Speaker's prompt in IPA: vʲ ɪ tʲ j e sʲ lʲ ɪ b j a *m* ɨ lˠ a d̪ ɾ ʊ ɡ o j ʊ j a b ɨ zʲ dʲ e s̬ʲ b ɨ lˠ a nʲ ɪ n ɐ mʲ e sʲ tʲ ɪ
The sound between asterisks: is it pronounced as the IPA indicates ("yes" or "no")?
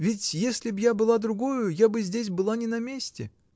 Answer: no